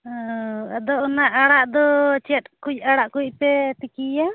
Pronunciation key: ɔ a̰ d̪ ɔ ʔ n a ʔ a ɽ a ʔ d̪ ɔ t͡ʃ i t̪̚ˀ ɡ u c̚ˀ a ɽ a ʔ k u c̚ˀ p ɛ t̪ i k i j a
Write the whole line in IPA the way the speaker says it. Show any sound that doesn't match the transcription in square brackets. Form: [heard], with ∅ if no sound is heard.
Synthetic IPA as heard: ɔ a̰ d̪ ɔ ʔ n a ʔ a ɽ a ʔ d̪ ɔ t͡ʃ [ɛ] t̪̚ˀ [k] u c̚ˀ a ɽ a ʔ k u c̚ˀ p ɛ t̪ i k i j a